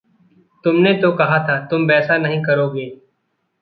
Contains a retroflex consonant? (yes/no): no